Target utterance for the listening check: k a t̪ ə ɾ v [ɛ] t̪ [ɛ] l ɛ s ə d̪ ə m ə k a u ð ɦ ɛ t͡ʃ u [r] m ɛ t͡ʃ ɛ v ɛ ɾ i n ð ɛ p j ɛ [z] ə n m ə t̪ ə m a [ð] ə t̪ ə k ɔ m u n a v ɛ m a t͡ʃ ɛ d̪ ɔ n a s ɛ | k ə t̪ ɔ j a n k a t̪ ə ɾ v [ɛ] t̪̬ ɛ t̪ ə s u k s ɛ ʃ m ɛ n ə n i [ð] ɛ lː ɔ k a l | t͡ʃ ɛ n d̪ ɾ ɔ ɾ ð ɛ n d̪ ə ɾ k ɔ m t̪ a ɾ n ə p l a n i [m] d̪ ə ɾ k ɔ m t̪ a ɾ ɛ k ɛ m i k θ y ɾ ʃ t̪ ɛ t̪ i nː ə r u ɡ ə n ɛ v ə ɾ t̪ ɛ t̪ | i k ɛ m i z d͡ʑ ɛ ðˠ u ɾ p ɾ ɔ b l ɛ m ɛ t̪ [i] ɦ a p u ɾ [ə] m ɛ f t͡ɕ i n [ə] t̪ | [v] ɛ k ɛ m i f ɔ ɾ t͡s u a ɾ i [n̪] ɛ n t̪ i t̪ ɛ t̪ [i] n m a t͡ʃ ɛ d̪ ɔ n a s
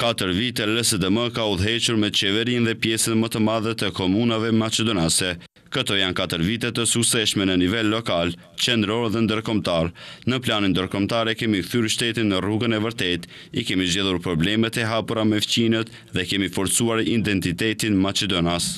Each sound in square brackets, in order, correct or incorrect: incorrect, correct, incorrect, incorrect, correct, incorrect, incorrect, incorrect, incorrect, incorrect, correct, incorrect, incorrect, correct

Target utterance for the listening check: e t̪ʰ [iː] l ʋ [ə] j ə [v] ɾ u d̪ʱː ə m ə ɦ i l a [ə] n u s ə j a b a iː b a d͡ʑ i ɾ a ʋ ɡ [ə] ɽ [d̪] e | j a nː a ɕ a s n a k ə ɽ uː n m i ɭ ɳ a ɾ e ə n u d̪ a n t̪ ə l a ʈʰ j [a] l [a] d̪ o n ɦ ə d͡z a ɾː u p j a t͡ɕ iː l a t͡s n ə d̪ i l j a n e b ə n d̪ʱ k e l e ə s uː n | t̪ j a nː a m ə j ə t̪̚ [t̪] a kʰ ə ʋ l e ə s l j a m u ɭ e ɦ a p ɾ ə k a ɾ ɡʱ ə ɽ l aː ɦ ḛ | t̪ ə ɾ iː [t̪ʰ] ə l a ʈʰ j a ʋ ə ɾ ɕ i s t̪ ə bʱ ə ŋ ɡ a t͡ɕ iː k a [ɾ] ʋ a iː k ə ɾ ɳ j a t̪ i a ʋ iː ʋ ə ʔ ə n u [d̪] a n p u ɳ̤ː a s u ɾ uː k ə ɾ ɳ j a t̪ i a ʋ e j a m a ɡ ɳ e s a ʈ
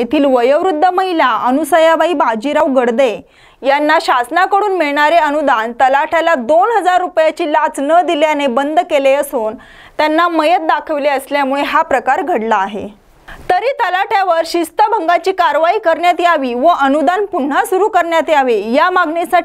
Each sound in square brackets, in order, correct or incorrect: correct, correct, incorrect, correct, correct, correct, correct, correct, incorrect, incorrect, correct, correct

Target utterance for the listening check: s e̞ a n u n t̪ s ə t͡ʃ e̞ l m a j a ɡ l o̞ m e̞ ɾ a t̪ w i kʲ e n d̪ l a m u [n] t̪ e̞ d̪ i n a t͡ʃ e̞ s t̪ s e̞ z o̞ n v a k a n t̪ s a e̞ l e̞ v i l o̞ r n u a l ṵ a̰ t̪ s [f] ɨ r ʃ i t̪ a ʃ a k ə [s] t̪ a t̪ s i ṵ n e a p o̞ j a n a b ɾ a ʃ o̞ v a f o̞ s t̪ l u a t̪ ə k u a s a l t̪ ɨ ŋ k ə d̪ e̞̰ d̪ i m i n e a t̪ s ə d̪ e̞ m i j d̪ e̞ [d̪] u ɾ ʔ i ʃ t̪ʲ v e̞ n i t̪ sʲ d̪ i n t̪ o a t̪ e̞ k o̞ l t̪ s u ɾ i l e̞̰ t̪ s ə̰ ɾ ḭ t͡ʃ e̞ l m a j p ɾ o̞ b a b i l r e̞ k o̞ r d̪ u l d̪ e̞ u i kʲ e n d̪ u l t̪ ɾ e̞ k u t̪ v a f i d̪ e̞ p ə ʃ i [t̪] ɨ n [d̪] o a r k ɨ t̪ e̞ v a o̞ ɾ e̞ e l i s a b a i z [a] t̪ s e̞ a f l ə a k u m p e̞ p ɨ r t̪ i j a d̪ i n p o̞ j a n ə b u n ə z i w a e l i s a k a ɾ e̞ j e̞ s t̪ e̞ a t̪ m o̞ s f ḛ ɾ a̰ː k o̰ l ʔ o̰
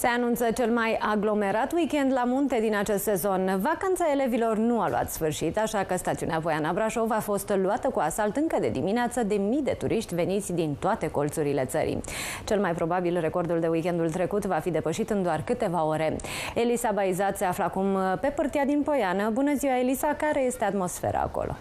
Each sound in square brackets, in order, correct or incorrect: correct, correct, correct, incorrect, correct, correct, correct

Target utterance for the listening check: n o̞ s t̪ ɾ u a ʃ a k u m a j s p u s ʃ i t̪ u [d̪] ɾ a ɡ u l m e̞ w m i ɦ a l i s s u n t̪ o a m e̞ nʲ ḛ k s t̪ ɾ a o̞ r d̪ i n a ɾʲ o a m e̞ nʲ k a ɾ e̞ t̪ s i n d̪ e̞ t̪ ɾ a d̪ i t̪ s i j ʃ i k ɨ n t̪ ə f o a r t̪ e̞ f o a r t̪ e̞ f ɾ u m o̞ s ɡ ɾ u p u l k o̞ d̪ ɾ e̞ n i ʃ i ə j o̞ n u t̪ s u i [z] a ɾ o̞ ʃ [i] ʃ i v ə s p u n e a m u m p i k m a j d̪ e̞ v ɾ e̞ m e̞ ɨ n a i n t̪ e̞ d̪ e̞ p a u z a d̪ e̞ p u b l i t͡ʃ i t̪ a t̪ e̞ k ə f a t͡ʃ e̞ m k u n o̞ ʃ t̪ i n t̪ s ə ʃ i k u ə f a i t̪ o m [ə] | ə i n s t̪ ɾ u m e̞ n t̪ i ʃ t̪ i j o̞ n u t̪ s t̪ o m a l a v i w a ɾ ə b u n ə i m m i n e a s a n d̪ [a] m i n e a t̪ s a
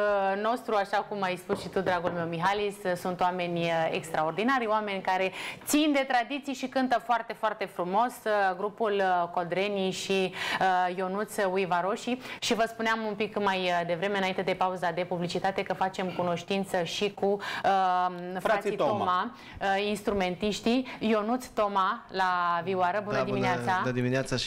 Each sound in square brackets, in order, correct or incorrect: correct, incorrect, correct, incorrect, incorrect

